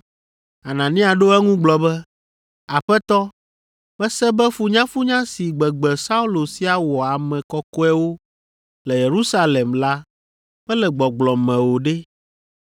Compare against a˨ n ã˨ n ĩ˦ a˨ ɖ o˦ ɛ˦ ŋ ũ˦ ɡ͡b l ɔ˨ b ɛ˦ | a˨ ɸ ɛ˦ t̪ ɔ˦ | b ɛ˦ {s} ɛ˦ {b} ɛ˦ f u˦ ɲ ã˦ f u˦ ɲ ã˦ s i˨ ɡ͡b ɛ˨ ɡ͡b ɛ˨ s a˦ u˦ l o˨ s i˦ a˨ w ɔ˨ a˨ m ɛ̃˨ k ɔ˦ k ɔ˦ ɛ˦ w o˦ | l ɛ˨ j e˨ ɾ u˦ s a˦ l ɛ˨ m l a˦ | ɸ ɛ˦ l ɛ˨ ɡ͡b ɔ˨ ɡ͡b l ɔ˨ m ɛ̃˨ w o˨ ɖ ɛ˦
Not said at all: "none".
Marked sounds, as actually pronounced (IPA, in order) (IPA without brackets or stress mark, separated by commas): s, b